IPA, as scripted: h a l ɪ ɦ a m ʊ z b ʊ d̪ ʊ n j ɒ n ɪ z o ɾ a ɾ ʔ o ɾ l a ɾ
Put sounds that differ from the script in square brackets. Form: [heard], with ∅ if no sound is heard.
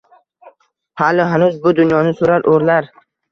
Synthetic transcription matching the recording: h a l ɪ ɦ a [n] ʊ z b ʊ d̪ ʊ n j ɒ n ɪ [s] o ɾ a ɾ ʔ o ɾ l a ɾ